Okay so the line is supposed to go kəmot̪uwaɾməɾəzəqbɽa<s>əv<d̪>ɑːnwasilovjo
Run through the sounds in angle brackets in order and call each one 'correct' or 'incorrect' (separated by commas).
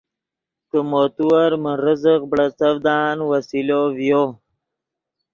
incorrect, correct